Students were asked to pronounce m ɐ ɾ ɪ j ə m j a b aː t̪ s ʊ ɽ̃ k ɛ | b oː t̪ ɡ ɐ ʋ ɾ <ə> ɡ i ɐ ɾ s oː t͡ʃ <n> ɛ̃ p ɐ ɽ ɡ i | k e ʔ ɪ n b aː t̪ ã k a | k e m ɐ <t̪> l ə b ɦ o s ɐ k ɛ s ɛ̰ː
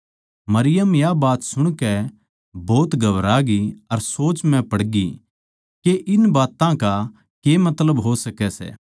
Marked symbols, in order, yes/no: no, no, yes

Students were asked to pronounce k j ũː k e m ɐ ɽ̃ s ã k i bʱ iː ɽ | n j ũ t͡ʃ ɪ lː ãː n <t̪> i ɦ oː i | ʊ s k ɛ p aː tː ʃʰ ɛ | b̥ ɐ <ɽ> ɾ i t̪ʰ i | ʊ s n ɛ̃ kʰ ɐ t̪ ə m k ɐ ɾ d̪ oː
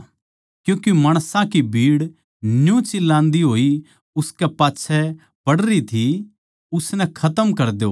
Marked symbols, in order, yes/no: no, yes

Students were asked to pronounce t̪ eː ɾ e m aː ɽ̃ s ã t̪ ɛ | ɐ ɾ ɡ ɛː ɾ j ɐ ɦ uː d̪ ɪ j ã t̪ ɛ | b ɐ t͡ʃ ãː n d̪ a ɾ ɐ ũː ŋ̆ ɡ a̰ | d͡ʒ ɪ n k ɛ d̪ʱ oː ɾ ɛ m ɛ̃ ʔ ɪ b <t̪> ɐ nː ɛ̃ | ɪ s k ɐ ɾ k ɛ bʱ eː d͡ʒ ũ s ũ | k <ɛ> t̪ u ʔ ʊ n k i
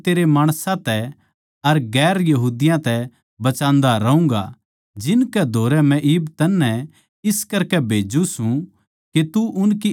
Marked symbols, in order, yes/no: yes, no

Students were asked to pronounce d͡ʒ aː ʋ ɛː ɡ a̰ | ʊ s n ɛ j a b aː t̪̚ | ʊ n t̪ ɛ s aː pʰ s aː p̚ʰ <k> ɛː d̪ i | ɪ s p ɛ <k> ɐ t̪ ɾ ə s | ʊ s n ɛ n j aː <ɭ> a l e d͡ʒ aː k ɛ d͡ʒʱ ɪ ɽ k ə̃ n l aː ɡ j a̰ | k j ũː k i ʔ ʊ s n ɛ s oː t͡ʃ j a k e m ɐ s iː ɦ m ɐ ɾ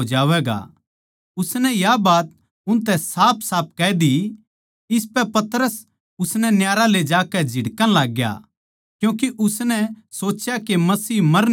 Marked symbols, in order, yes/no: yes, no, no

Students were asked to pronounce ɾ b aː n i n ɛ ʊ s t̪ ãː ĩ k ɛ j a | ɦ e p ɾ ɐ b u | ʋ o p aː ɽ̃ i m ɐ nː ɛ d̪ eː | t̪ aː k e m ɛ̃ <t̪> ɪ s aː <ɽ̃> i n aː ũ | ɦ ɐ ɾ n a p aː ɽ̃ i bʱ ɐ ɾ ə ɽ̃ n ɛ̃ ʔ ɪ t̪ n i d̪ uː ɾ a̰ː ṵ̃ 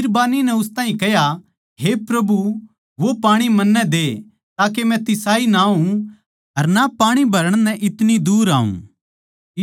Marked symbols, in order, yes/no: yes, no

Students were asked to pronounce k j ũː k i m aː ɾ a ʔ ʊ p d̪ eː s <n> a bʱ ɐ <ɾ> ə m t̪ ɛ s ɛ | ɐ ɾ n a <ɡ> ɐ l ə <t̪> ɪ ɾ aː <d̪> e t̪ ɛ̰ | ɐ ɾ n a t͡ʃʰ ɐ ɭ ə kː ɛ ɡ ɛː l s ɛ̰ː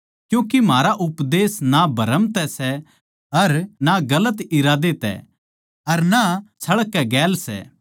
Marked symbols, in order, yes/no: yes, yes, yes, yes, yes

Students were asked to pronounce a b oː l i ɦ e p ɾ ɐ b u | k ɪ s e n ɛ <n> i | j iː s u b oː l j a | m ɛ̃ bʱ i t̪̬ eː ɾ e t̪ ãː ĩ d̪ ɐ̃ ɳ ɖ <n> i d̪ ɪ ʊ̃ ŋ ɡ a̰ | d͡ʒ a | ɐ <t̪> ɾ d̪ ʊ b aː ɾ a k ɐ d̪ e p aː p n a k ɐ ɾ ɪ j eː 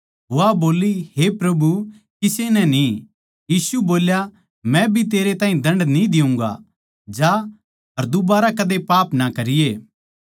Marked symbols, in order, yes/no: yes, yes, no

